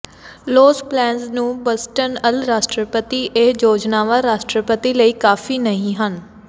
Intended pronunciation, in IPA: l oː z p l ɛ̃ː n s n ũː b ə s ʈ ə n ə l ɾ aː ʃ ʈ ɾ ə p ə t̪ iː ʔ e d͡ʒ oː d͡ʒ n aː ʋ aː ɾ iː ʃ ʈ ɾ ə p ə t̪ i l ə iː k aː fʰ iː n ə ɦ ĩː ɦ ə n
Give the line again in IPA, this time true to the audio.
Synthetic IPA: l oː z p l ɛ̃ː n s n ũː b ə s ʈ ə n ə l ɾ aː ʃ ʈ ɾ ə p ə t̪ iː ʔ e d͡ʒ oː d͡ʒ n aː ʋ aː ɾ aː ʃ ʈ ɾ ə p ə t̪ i l ə iː k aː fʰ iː n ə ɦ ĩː ɦ ə n